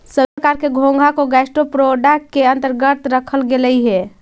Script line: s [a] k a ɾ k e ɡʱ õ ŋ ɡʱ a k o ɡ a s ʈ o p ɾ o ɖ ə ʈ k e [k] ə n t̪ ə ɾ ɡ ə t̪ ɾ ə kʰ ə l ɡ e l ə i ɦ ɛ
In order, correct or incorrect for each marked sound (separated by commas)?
incorrect, incorrect